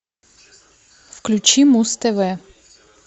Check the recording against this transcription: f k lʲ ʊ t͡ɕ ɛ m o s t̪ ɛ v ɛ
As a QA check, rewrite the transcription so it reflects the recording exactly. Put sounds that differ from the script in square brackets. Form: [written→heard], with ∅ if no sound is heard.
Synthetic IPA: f k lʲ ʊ t͡ɕ [ɛ→i] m [o→u] s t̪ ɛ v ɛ